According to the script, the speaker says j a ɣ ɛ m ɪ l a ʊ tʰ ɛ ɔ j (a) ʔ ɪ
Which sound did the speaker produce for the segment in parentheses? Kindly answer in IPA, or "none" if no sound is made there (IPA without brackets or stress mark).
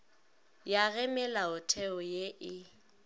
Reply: e